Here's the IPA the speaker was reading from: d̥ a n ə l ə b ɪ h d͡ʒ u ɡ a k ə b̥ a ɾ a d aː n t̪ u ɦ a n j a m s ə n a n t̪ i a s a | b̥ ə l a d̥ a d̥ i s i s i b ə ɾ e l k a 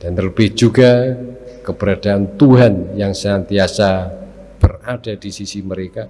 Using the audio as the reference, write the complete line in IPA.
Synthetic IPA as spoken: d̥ a n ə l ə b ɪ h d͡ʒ u ɡ a k ə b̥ ə ɾ a d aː n t̪ u ɦ a n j a ŋ s ə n a n t̪ i a s a | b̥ ə r a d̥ a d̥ i s i s i m ə ɾ e k a